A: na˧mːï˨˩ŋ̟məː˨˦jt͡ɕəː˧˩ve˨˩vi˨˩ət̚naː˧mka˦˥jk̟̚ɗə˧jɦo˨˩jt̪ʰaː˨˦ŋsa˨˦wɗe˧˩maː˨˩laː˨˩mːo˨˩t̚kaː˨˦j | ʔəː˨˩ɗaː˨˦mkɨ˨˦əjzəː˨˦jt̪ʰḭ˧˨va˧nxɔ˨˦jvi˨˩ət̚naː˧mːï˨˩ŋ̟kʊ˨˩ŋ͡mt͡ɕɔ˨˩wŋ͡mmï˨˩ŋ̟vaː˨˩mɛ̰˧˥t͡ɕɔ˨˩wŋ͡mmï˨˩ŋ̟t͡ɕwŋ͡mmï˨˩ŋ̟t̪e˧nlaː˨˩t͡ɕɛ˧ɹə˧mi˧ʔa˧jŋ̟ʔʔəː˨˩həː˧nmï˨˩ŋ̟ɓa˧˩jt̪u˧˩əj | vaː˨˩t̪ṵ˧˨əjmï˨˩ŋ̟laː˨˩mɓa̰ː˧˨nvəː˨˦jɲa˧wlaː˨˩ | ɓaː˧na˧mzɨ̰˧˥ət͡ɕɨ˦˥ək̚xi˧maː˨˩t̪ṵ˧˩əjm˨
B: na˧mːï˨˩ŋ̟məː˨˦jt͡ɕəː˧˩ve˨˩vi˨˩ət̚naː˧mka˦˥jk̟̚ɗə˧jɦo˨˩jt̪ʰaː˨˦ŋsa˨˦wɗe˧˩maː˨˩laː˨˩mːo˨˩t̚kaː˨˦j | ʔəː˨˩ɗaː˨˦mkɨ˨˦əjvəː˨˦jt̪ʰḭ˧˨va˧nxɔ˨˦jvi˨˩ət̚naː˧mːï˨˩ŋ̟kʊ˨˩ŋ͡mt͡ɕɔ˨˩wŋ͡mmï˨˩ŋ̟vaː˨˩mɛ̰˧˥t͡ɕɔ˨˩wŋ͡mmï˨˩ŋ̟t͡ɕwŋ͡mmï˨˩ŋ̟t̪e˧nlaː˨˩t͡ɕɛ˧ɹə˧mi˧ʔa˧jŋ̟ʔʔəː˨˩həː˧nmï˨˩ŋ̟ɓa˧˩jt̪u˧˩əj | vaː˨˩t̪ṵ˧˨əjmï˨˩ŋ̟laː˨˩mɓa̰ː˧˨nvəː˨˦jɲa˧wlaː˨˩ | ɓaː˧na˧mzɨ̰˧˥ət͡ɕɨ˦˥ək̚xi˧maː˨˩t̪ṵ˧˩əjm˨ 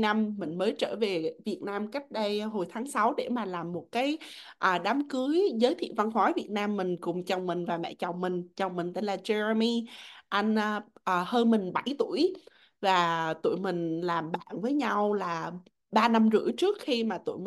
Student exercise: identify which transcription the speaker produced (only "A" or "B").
A